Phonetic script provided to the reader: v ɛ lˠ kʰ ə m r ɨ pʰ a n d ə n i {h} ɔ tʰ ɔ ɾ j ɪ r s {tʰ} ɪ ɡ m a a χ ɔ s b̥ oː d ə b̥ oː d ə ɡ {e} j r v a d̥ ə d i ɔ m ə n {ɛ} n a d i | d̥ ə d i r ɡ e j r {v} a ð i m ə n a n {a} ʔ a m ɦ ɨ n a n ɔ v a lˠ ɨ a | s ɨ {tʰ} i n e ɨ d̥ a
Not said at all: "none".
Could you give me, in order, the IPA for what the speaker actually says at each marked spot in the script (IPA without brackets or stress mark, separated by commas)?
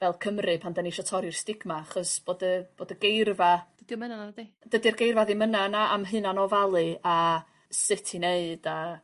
ʃ, t, e, a, v, a, tʰ